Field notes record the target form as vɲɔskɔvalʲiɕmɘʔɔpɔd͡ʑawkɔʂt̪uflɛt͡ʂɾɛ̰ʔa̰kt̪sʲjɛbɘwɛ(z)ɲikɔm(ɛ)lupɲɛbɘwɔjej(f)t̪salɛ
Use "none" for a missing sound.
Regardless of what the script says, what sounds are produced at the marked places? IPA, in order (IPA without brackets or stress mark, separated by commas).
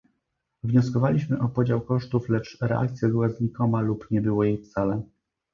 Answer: z, a, f